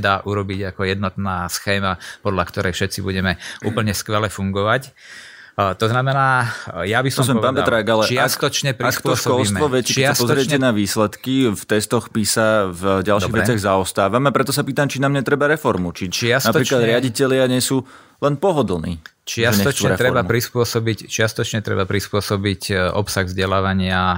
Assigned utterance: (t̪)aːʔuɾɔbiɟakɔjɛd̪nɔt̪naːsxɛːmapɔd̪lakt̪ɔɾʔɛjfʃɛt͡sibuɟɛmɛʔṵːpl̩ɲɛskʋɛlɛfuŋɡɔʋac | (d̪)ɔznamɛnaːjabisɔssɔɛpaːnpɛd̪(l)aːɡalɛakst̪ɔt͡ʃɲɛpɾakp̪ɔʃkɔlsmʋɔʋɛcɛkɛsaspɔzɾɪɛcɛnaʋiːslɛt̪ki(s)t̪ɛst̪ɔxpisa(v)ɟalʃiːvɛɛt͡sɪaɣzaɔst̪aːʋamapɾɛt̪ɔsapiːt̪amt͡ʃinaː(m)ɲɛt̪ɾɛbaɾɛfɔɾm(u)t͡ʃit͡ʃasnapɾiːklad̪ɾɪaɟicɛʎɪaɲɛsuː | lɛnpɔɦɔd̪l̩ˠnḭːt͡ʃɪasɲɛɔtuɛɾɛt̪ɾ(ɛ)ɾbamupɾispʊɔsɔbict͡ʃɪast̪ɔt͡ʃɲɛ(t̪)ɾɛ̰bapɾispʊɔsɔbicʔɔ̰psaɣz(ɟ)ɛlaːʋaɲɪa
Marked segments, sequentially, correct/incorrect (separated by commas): incorrect, incorrect, incorrect, incorrect, correct, correct, correct, correct, correct, correct